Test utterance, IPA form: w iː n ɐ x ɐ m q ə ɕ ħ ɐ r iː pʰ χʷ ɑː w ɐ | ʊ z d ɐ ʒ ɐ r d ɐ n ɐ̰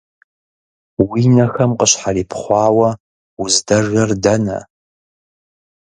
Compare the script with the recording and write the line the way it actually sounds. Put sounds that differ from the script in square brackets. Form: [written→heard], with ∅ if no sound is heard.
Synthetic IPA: w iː n ɐ x ɐ m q ə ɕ ħ [ɐ→a] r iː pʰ χʷ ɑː w ɐ | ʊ z d ɐ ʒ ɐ r d ɐ n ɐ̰

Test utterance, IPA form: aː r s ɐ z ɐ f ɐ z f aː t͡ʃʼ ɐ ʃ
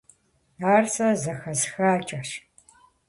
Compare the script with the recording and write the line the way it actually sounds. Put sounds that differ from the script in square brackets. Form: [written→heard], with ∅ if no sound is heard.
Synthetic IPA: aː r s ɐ z ɐ [f→x] ɐ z [f→x] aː t͡ʃʼ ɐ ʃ

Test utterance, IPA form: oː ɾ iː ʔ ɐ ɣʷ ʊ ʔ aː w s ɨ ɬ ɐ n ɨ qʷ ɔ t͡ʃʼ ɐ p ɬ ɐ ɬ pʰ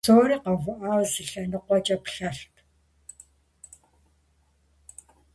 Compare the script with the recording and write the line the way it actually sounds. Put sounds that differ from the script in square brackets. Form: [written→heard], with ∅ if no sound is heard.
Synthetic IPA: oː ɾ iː [ʔ→q] ɐ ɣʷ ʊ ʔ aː w [s→z] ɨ ɬ ɐ n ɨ qʷ ɔ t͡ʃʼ ɐ p ɬ ɐ ɬ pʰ

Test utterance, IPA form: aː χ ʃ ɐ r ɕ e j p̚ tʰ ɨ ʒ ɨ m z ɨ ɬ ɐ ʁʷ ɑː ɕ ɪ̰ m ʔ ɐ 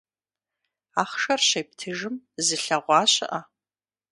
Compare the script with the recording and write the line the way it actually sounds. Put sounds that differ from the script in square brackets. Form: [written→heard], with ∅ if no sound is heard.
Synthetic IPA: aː χ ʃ ɐ r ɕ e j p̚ tʰ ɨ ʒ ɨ m z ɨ ɬ ɐ ʁʷ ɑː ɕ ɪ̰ [m→∅] ʔ ɐ

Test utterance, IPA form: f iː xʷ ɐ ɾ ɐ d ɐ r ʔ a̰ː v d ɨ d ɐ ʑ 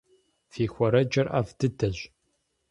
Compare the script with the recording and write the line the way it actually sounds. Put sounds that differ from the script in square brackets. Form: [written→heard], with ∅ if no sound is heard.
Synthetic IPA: f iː xʷ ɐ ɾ ɐ [d→d͡ʒ] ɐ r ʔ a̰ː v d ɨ d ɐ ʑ

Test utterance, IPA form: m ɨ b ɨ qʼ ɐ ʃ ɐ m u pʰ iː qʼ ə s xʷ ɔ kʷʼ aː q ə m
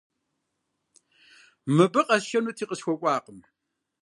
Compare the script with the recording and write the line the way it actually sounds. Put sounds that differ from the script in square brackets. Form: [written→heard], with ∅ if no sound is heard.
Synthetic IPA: m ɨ b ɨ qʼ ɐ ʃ ɐ [m→n] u [pʰ→tʰ] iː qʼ ə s xʷ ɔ kʷʼ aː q ə m

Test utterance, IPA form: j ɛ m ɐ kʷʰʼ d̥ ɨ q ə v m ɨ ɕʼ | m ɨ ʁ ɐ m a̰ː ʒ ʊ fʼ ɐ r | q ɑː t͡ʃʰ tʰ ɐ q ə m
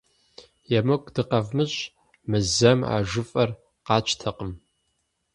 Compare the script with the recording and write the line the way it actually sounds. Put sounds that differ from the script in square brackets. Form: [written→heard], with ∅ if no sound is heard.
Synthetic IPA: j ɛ m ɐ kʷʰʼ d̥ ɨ q [ə→ɐ] v m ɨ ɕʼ | m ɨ [ʁ→z] ɐ m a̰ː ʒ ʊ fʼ ɐ r | q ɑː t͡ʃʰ tʰ ɐ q ə m

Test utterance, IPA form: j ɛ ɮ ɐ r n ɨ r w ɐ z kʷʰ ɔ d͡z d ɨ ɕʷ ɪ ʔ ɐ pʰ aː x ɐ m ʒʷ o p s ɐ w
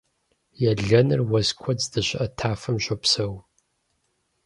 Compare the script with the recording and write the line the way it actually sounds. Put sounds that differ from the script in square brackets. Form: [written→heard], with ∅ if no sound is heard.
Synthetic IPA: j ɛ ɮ ɐ [r→∅] n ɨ r w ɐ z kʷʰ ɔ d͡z d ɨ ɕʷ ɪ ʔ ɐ [pʰ→tʰ] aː [x→f] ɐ m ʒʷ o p s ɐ w

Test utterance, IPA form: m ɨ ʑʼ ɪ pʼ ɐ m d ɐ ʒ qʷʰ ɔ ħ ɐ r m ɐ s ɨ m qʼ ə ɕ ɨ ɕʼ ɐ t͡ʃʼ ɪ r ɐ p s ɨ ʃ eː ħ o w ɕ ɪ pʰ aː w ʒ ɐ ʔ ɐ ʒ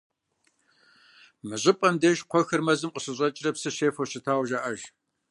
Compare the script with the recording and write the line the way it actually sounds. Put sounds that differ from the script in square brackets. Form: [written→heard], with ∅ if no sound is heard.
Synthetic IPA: m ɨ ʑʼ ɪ pʼ ɐ m d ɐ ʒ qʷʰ ɔ [ħ→x] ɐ r m ɐ [s→z] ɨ m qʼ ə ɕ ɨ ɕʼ ɐ t͡ʃʼ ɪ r ɐ p s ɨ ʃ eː [ħ→f] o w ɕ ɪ [pʰ→tʰ] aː w ʒ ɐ ʔ ɐ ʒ

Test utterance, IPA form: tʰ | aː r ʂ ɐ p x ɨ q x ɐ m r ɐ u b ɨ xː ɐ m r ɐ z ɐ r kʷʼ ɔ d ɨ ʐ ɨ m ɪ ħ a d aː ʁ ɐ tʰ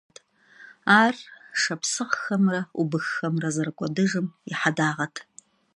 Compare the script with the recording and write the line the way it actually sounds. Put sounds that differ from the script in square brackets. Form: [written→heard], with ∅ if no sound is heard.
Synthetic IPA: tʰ | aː r ʂ ɐ p [x→s] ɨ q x ɐ m r ɐ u b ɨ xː ɐ m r ɐ z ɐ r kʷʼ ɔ d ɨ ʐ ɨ m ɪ ħ a d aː ʁ ɐ tʰ

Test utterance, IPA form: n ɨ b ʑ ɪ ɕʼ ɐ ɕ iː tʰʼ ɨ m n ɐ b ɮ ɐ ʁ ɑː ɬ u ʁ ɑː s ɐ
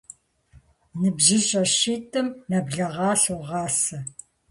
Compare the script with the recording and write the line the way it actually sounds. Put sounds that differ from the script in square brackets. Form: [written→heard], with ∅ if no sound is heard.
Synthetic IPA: n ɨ b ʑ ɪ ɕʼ ɐ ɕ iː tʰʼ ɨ m n ɐ b ɮ ɐ ʁ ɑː ɬ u ʁ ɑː s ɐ

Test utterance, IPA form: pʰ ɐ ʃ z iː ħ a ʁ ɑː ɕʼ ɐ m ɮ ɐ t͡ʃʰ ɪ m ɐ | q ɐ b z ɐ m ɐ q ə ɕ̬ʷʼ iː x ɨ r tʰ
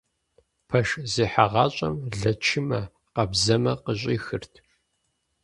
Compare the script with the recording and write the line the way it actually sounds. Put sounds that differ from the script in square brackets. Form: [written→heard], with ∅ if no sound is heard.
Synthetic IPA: pʰ ɐ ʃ z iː ħ a ʁ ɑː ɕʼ ɐ m ɮ ɐ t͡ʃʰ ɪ m ɐ | q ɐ b z ɐ m ɐ q ə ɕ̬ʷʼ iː x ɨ r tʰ

